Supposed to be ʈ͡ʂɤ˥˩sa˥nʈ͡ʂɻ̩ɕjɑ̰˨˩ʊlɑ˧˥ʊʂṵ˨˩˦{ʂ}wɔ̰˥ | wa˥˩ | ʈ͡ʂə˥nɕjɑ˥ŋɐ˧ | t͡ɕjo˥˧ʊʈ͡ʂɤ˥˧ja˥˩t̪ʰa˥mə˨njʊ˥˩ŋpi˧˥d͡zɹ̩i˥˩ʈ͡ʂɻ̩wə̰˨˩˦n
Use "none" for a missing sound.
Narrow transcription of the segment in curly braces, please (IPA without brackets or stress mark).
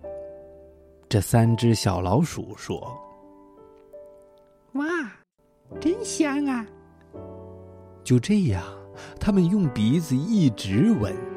ʂ